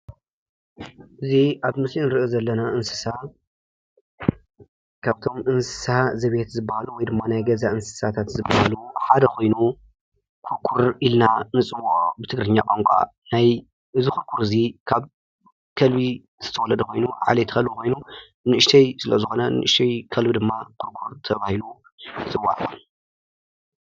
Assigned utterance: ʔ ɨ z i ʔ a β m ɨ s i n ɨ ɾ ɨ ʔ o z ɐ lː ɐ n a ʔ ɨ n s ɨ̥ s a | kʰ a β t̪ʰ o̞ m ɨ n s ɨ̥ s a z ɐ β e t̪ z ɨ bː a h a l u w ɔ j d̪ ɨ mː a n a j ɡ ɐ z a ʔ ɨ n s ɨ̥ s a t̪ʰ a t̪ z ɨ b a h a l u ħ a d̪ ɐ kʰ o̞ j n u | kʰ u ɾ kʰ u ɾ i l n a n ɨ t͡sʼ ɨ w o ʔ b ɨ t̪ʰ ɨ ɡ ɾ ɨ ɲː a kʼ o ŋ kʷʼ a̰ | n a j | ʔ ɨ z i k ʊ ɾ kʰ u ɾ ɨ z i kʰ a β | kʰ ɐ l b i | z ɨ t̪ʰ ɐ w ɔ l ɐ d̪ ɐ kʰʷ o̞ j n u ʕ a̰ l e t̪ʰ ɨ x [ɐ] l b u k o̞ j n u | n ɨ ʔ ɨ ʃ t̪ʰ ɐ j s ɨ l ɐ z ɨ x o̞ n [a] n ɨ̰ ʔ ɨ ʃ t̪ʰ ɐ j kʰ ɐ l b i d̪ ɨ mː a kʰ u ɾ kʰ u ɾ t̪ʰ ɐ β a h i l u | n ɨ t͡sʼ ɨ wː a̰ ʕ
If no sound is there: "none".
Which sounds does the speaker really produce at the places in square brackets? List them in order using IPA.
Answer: ɐ, ɐ

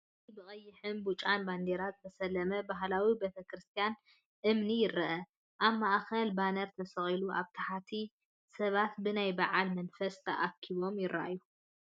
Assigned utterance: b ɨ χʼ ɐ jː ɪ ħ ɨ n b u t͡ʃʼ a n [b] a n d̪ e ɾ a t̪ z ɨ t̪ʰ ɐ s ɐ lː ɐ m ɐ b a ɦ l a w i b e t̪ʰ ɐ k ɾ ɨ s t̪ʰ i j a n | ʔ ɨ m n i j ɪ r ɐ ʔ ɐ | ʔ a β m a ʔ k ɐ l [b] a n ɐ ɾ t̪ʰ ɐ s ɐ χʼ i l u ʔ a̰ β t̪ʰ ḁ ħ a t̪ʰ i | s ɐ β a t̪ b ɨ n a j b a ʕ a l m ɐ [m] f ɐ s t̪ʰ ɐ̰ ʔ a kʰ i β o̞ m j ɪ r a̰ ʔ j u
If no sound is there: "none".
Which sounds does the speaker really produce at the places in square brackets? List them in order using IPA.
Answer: b, b, n

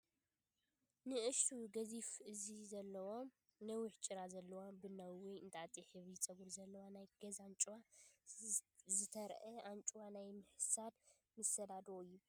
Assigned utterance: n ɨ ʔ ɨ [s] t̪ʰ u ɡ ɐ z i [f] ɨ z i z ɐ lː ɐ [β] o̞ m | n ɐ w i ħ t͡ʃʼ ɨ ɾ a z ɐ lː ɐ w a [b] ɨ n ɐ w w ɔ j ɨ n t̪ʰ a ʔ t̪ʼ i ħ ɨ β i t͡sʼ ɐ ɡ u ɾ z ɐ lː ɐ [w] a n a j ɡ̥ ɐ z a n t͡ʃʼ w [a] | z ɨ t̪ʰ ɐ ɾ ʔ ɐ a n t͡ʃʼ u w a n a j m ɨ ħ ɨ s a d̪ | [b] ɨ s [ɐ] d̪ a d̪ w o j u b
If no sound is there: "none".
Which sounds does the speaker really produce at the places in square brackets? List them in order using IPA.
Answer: ʃ, f, w, b, w, a, m, ɐ

